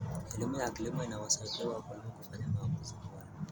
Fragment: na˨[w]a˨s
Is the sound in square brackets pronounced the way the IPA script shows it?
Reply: yes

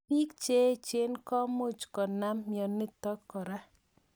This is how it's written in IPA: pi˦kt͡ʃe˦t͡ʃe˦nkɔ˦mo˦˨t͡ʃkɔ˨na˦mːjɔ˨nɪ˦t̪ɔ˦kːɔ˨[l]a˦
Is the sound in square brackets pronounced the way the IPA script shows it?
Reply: no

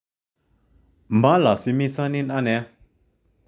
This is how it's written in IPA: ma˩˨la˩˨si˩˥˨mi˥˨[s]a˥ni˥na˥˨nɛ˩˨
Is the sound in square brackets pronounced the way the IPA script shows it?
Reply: yes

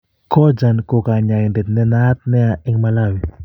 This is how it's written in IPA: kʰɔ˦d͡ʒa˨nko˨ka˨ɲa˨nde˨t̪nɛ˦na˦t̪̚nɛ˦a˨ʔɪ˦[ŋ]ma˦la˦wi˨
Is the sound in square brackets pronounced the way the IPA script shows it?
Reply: yes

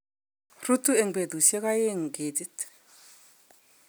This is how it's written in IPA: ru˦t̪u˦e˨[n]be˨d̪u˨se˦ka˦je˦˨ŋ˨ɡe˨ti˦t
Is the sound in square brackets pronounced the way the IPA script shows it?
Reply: no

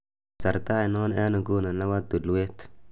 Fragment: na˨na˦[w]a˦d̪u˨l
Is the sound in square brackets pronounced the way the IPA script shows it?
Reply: yes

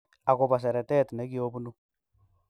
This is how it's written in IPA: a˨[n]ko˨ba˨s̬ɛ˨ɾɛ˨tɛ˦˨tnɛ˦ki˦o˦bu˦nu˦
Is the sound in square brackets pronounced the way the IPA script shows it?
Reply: no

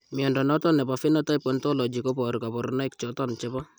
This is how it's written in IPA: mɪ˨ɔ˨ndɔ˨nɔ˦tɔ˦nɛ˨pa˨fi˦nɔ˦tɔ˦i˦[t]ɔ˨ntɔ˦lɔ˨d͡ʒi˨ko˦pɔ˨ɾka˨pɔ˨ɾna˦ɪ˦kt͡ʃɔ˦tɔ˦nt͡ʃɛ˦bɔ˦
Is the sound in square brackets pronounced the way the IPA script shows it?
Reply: no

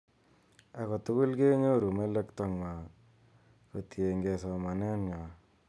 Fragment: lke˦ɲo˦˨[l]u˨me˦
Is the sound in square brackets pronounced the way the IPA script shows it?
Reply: no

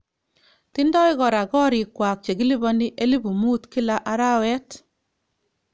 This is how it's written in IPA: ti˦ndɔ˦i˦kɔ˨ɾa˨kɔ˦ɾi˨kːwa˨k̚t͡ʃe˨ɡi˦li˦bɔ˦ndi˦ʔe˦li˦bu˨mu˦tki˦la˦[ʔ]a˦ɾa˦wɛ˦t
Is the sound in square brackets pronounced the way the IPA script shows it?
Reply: yes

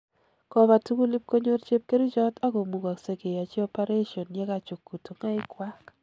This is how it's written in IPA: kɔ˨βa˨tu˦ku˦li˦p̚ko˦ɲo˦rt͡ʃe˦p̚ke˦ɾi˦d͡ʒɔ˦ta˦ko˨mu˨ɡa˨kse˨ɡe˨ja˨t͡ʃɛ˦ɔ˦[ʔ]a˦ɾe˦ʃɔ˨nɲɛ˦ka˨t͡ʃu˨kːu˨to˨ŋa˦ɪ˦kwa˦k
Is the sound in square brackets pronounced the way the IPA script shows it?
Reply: no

